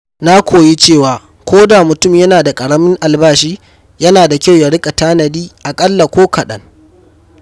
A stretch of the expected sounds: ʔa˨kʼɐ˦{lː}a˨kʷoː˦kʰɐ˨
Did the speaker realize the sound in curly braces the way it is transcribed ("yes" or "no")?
yes